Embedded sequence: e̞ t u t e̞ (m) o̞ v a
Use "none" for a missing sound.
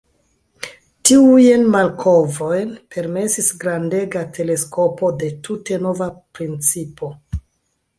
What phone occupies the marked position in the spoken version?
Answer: n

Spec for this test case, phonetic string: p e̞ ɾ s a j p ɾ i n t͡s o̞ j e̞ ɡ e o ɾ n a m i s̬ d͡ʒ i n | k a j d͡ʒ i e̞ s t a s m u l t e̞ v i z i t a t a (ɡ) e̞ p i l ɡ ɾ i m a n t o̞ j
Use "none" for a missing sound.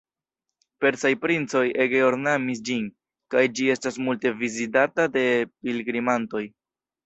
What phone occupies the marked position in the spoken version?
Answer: d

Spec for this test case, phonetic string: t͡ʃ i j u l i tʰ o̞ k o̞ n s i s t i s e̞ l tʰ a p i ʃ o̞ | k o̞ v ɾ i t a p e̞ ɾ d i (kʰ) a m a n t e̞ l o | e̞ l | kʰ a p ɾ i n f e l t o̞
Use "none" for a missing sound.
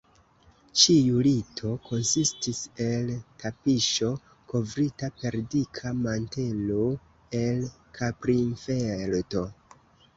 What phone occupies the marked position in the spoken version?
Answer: kʰ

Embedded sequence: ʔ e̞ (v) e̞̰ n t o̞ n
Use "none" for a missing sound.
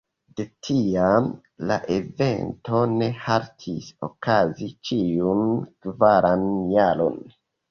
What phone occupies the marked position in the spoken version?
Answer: v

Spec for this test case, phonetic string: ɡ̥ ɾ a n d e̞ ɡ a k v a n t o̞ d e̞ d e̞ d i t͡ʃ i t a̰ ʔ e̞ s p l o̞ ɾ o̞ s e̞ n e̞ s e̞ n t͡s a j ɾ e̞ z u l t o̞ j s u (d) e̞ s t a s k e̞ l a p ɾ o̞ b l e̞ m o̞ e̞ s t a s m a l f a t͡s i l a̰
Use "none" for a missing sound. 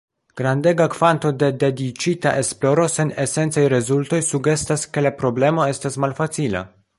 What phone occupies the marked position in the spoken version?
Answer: ɡ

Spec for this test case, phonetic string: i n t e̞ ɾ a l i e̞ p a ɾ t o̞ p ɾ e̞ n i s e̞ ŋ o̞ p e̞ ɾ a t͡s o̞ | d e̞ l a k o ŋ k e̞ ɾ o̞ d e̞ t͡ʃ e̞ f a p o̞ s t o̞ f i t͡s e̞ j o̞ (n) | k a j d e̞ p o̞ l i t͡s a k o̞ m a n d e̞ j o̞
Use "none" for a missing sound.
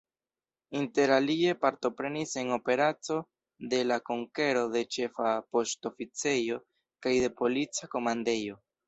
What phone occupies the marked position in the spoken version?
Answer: none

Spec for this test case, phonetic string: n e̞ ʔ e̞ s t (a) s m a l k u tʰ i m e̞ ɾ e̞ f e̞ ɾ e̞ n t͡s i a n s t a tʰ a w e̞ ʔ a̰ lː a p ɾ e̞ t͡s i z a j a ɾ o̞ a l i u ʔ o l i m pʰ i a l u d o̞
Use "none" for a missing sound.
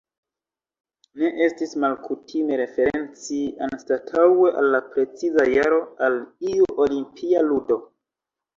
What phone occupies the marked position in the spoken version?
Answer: i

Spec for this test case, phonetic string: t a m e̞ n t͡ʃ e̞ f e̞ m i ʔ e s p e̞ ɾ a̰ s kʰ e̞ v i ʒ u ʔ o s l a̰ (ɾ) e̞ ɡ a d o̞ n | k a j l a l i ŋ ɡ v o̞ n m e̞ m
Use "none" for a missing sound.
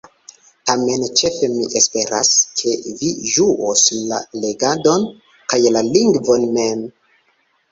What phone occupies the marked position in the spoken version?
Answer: l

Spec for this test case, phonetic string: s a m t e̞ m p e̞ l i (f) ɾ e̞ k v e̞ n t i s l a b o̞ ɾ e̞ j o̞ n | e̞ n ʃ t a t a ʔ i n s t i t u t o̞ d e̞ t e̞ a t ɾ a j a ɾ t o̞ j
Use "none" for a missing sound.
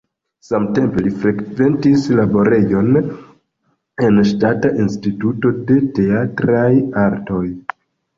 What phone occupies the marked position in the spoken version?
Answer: f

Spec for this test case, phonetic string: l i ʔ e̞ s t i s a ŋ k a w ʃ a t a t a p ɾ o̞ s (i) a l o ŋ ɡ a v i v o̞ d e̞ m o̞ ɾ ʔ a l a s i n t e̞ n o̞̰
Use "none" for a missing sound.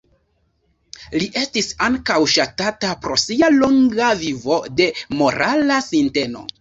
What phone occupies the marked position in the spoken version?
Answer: i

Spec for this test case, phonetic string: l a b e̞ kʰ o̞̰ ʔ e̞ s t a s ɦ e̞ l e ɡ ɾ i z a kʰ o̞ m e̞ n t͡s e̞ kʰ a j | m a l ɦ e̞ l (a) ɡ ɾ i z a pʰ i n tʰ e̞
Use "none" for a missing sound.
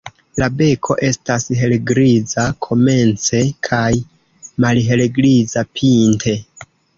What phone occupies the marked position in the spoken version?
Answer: e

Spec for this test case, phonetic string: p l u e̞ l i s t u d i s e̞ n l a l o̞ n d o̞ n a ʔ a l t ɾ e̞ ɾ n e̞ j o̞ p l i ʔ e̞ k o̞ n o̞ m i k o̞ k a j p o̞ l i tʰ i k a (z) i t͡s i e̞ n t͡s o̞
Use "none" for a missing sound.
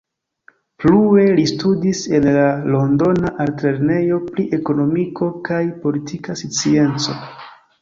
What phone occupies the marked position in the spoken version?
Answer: s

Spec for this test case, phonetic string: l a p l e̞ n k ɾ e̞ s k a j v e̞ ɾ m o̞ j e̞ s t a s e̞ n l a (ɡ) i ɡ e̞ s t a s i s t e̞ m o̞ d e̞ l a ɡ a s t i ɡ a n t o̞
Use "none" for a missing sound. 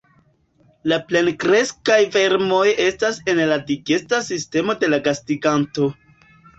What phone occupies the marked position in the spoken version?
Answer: d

